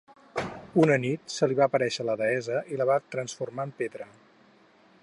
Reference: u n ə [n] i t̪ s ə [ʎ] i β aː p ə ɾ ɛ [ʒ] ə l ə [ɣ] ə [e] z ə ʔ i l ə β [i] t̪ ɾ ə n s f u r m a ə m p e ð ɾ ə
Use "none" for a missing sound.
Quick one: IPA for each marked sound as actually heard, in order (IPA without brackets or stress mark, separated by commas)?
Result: n, l, ʃ, ð, ɛ, a